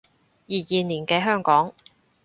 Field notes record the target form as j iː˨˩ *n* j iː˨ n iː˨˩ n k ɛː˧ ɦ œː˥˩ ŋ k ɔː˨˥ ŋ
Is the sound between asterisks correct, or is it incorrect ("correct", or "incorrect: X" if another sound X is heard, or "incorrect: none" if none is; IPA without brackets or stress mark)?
incorrect: none